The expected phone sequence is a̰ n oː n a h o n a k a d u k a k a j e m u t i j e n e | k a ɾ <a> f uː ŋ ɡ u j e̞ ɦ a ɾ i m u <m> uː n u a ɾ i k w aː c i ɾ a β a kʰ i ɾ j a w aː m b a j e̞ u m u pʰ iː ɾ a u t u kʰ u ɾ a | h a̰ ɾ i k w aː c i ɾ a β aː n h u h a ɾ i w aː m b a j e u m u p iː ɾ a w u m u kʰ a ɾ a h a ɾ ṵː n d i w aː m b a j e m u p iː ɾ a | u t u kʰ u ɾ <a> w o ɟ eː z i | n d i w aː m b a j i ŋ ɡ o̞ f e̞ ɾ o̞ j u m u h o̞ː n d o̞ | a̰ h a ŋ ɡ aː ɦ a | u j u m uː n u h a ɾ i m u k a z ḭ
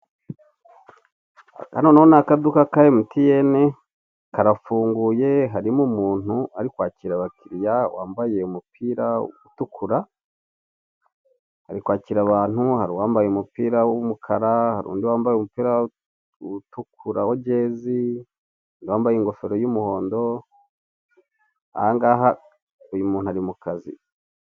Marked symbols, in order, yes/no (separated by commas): yes, yes, yes